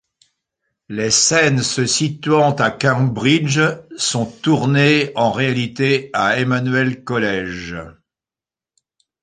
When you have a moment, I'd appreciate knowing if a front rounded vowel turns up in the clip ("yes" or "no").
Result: no